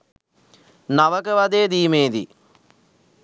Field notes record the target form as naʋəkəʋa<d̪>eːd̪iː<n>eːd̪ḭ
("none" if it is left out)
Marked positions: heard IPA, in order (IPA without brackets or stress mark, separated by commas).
d̪, m